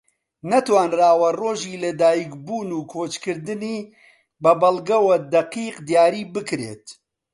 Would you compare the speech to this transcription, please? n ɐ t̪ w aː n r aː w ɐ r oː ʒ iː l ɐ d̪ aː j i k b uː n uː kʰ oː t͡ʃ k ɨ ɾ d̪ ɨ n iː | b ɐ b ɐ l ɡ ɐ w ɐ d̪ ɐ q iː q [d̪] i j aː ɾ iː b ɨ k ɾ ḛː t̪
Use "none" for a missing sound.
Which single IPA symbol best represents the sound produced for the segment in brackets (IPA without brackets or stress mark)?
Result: d̪